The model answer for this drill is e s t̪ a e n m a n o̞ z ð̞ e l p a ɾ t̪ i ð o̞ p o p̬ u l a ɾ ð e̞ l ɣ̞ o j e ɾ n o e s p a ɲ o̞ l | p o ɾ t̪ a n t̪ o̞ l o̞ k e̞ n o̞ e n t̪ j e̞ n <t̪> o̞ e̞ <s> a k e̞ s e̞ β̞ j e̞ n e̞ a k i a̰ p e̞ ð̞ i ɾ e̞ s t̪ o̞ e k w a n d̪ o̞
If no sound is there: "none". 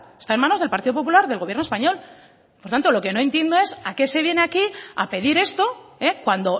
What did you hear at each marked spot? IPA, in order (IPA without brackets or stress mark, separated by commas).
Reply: d̪, s